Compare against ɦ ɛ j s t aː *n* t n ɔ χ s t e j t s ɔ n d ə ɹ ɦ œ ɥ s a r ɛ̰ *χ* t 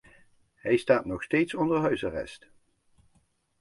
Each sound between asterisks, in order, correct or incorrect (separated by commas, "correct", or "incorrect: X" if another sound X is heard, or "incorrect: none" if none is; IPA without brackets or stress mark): incorrect: none, incorrect: s